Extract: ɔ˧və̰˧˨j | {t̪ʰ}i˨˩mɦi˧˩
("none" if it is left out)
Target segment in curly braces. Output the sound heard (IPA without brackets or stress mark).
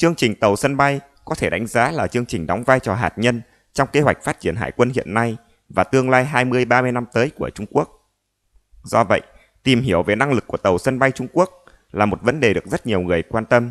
t̪